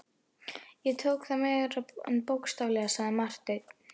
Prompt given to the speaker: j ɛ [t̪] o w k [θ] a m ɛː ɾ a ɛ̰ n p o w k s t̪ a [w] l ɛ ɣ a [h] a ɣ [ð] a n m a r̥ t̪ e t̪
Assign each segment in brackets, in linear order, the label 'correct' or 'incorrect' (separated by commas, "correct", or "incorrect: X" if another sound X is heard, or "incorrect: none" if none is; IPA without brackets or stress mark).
incorrect: t̪ʰ, correct, incorrect: v, incorrect: s, correct